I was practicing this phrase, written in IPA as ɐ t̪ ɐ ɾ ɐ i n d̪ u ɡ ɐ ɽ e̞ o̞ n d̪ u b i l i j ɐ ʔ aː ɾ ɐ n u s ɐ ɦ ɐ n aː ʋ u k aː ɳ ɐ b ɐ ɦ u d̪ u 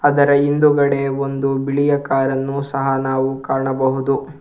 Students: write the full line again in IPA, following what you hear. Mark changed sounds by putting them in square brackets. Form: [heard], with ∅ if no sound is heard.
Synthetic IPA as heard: ɐ [d̪] ɐ ɾ ɐ i n d̪ u ɡ ɐ ɽ e̞ o̞ n d̪ u b i [ɭ] i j ɐ [k] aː ɾ ɐ [nː] u s ɐ ɦ ɐ n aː ʋ u k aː ɳ ɐ b ɐ ɦ u d̪ u